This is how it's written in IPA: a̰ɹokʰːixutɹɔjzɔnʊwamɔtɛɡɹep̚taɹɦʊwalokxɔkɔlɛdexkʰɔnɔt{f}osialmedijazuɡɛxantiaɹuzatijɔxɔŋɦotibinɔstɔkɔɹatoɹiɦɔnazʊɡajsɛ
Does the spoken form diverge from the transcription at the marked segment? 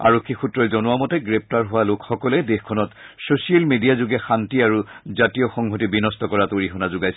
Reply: yes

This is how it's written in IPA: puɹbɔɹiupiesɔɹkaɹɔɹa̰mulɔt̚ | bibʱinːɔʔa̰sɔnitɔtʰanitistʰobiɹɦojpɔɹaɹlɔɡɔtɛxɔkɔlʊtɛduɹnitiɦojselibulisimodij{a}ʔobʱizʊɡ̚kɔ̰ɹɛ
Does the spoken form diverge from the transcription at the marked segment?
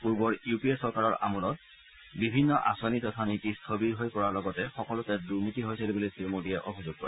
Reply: yes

